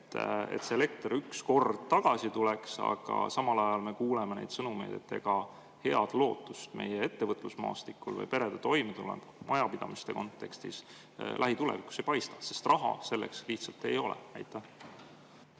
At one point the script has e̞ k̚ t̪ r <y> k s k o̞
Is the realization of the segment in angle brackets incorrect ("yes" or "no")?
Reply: no